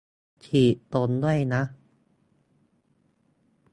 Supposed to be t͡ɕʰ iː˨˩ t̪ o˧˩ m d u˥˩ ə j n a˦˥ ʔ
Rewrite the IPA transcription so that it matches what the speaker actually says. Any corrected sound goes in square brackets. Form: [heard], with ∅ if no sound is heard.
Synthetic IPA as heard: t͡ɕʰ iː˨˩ t̪ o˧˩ [n] d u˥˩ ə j n a˦˥ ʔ